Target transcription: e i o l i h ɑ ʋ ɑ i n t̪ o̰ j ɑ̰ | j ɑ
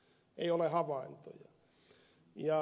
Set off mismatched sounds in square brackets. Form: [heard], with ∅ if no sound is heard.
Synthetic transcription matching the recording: e i o l [e] h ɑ ʋ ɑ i n t̪ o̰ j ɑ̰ | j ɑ